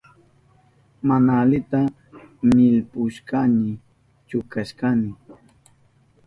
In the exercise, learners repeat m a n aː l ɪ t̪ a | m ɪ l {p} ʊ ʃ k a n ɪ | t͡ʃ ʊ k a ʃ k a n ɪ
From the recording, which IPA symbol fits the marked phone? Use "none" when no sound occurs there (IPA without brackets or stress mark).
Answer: p